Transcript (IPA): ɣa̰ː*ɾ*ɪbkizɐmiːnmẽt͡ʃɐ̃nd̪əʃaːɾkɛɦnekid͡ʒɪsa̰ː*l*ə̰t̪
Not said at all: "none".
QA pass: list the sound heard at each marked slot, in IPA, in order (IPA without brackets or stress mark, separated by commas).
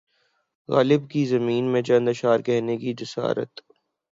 l, ɾ